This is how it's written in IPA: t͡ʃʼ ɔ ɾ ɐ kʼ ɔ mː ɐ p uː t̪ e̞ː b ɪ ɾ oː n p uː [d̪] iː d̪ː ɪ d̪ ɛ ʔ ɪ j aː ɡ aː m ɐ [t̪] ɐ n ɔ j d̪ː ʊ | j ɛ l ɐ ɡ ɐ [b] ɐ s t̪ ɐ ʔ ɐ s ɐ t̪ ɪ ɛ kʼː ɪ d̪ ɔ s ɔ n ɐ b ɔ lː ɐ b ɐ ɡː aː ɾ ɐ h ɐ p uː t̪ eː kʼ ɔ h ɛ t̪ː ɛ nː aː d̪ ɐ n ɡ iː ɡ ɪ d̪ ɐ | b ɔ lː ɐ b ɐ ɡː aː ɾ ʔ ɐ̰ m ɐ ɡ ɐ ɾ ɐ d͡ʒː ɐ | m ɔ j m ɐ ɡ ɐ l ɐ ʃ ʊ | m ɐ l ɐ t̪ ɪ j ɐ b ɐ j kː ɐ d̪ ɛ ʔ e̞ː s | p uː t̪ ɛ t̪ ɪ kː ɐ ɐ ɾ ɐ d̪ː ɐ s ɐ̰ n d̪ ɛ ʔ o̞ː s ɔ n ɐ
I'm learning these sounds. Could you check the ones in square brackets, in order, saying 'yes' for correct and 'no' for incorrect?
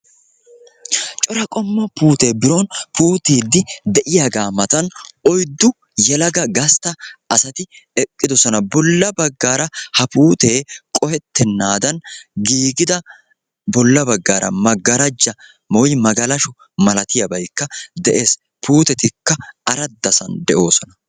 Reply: no, yes, no

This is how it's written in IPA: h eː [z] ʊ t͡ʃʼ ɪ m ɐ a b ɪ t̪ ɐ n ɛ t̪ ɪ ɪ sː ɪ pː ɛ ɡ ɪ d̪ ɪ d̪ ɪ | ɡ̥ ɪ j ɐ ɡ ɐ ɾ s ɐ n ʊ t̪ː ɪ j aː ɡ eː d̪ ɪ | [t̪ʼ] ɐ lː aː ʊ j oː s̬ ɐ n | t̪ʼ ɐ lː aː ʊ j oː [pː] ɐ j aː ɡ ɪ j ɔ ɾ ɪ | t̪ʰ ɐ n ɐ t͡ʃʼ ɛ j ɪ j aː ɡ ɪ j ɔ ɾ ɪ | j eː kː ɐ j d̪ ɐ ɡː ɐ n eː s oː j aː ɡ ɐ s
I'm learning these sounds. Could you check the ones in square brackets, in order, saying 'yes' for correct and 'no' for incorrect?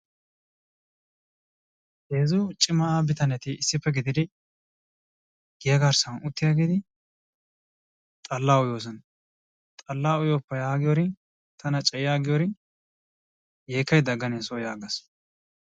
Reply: yes, yes, yes

